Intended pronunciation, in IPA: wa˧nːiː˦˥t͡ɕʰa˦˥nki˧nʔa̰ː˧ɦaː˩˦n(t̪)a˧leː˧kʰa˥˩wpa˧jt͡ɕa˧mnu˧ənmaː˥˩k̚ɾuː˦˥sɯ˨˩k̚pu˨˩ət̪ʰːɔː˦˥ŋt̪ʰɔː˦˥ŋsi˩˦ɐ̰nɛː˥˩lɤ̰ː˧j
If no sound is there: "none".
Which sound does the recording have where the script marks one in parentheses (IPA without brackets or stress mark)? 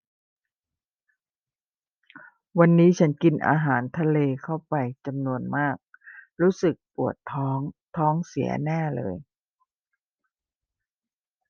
t̪ʰ